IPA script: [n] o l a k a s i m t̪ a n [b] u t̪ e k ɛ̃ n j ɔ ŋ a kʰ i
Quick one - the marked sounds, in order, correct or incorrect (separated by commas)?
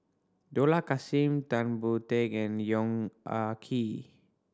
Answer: incorrect, correct